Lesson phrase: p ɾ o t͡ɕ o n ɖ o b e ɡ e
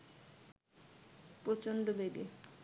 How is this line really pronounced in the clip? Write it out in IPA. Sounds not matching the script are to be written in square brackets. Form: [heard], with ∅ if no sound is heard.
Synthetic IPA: p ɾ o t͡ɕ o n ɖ o b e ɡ e